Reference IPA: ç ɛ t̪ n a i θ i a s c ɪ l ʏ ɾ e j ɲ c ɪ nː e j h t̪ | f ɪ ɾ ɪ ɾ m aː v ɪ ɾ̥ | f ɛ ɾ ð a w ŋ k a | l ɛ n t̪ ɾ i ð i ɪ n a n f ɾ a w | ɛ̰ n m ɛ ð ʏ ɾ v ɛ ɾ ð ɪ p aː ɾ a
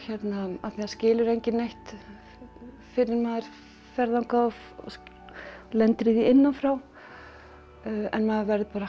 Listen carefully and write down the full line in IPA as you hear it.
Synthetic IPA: ç ɛ t̪ n a a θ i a s c ɪː l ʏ ɾ e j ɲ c ɪ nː e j h t̪ | f ɪ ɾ ɪ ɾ m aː ð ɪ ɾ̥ | f ɛ ɾ ð a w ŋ k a | l ɛ n t̪ ɾ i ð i ɪ nː a n f ɾ a w | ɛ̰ n m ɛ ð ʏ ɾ v ɛ ɾ ð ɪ p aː ɾ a